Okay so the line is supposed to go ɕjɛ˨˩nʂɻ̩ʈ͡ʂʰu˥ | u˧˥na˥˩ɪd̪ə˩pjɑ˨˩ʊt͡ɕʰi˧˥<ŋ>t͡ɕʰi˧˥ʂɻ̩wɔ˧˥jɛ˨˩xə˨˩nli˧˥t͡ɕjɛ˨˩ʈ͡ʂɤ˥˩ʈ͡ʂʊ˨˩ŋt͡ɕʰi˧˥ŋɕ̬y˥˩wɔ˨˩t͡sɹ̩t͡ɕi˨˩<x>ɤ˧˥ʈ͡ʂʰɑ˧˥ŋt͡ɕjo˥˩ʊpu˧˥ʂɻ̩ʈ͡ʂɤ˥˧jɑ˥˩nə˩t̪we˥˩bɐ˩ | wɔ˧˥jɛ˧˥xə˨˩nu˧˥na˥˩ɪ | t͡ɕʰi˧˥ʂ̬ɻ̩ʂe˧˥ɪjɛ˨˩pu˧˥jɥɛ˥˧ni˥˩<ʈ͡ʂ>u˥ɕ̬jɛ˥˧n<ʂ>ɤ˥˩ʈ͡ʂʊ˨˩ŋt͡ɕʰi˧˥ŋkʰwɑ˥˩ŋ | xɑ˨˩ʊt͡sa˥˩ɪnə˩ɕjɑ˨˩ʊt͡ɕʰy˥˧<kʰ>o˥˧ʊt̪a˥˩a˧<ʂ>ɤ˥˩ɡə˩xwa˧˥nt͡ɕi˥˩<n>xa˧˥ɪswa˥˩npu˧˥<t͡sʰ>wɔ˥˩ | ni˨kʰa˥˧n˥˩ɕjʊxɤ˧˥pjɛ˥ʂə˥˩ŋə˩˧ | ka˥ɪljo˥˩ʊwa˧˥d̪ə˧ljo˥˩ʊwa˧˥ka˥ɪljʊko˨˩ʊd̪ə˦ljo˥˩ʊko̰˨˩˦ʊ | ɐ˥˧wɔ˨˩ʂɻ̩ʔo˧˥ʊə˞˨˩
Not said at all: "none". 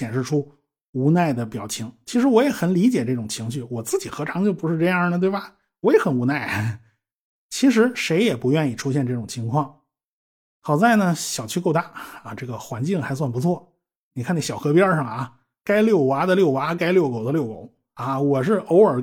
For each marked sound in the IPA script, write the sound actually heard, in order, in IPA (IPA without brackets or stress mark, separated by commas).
ŋ, x, ʈ͡ʂʰ, ʈ͡ʂ, k, ʈ͡ʂ, ŋ, t͡sʰ